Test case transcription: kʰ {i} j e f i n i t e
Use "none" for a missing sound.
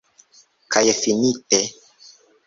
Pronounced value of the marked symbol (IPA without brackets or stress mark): a